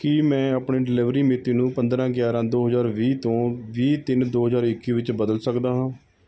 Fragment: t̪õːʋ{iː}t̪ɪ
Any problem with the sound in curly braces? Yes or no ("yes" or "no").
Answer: no